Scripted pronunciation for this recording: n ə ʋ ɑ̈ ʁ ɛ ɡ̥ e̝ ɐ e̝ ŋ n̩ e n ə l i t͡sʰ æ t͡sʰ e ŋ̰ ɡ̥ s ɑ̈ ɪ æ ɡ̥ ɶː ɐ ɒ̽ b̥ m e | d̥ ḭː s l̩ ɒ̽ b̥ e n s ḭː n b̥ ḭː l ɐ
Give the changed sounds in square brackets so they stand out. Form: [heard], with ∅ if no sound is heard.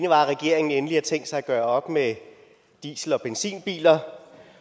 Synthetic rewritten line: n ə ʋ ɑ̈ ʁ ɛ ɡ̥ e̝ ɐ e̝ ŋ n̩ e n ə l i [∅] æ t͡sʰ e ŋ̰ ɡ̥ s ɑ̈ ɪ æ ɡ̥ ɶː ɐ ɒ̽ b̥ m e | d̥ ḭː s l̩ ɒ̽ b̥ e n s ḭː n b̥ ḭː l ɐ